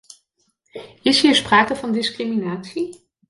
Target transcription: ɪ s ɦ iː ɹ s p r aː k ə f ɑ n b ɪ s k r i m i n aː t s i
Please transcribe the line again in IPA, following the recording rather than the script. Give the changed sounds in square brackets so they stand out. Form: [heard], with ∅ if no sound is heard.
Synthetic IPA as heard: ɪ s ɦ iː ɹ s p r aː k ə [v] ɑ n [d] ɪ s k r i m i n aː t s i